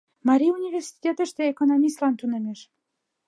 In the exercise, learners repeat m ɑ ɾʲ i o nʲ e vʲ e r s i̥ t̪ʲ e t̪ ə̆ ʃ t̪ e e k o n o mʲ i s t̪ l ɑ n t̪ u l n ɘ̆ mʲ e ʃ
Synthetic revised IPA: m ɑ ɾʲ i u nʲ i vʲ e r s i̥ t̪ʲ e t̪ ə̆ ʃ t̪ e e k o n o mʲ i s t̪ l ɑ n t̪ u n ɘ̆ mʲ e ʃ